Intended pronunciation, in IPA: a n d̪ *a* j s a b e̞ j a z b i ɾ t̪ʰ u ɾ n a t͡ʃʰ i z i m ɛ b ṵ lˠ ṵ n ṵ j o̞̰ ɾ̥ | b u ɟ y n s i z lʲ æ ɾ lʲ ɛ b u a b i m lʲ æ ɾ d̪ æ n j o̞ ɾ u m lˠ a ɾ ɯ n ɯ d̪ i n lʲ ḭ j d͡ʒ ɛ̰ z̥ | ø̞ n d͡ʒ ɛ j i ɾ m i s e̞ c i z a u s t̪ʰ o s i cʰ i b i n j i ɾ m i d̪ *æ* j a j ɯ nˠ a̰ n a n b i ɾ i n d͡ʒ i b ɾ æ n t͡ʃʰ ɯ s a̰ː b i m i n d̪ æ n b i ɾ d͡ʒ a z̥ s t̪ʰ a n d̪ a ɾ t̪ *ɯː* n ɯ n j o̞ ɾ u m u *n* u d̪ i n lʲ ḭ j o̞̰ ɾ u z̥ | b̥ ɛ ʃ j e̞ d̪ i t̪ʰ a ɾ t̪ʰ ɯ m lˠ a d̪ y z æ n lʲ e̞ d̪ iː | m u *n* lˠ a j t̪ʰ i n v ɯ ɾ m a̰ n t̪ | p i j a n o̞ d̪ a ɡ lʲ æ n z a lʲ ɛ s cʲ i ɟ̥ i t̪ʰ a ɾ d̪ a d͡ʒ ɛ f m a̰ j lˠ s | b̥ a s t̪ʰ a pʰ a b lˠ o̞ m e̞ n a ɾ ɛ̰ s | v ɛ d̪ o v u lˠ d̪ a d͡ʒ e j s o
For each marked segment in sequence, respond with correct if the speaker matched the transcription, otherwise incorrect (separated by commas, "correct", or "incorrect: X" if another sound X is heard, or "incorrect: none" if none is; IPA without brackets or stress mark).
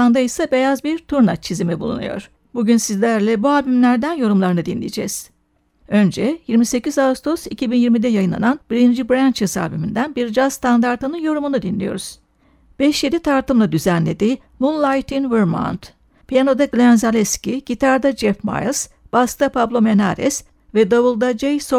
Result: correct, incorrect: ɛ, incorrect: ɯ, correct, correct